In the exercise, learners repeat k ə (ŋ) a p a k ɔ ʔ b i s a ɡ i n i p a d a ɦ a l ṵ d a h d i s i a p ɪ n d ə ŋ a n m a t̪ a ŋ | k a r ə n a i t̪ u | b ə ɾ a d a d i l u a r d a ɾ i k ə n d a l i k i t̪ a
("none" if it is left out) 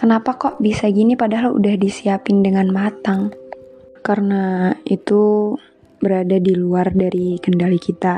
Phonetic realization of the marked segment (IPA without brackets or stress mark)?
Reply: n